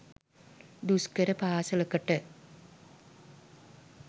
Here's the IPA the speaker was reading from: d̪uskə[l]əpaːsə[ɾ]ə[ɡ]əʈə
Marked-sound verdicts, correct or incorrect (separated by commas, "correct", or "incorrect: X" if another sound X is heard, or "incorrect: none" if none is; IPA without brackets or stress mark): incorrect: ɾ, incorrect: l, incorrect: k